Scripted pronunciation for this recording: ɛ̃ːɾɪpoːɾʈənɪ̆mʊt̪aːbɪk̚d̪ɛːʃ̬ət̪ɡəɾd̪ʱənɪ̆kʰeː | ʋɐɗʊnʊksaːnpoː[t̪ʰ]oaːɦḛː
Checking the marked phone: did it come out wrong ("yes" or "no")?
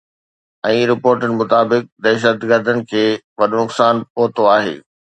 yes